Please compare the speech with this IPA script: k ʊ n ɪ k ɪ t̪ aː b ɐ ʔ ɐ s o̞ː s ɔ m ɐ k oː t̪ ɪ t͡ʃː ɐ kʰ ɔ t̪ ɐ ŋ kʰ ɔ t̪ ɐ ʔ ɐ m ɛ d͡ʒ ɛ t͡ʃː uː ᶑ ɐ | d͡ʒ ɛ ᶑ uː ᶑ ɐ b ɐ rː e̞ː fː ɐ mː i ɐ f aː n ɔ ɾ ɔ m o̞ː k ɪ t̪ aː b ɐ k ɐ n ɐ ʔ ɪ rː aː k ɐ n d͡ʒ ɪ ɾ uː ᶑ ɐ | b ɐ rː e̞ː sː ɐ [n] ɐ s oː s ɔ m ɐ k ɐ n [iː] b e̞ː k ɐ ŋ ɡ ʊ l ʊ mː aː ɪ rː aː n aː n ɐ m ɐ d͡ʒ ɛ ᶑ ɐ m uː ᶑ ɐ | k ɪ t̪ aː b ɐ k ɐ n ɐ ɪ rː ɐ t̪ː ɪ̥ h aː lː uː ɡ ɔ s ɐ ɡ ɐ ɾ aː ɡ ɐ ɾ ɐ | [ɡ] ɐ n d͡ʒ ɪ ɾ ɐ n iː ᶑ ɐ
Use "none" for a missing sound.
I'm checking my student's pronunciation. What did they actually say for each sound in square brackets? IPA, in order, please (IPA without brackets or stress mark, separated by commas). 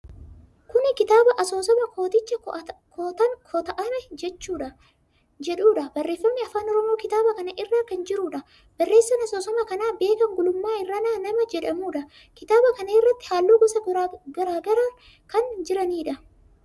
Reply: n, aː, k